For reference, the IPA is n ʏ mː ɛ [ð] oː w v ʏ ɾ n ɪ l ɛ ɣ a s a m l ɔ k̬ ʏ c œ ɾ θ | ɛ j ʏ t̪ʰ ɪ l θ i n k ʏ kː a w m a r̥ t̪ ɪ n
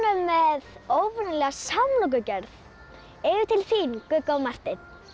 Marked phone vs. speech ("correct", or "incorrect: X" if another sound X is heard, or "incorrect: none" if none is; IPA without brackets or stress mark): correct